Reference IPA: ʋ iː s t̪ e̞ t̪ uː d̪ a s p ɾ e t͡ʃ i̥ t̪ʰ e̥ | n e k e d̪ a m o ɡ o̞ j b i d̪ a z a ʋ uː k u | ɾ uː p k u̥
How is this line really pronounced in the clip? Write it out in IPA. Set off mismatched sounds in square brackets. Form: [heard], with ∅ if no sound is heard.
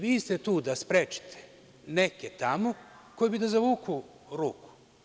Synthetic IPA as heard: ʋ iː s t̪ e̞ t̪ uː d̪ a s p ɾ e t͡ʃ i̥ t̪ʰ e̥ | n e k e [t̪] a m o [k] o̞ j b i d̪ a z a ʋ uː k u | ɾ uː [∅] k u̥